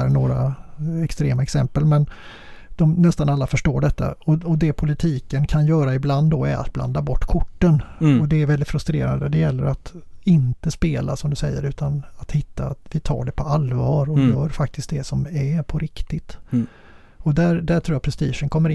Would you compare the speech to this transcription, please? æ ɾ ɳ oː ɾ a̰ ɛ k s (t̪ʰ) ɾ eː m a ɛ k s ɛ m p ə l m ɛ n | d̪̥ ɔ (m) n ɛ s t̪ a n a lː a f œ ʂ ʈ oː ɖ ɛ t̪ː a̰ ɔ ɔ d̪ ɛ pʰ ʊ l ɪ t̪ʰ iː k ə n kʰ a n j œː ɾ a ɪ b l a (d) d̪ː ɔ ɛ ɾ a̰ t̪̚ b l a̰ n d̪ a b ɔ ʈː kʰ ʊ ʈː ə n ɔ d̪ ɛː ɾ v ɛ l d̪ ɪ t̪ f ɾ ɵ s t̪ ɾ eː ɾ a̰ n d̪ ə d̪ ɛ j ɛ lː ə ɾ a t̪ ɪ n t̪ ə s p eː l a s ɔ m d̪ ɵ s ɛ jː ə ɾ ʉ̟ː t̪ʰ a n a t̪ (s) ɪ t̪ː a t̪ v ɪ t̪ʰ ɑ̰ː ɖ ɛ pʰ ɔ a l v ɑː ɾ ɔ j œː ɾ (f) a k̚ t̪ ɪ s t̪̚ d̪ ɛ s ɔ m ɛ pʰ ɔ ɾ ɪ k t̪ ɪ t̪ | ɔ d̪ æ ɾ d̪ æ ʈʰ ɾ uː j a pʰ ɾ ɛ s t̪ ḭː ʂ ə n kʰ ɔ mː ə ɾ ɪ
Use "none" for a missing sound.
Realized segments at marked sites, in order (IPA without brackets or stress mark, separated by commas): t̪, m, n, h, f